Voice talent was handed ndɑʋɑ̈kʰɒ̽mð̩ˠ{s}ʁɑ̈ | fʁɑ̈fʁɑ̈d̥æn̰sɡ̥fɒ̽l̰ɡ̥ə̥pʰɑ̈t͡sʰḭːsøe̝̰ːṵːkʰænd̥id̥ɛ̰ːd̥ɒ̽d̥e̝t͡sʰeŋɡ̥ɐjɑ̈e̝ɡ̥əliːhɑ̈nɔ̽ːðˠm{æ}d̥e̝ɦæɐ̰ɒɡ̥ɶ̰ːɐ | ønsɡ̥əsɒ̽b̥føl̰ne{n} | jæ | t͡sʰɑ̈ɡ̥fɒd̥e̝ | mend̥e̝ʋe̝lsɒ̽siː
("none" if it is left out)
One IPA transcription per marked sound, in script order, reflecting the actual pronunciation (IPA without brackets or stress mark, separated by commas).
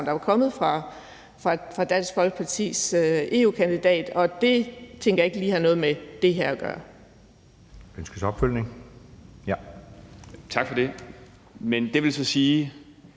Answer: f, e, ŋ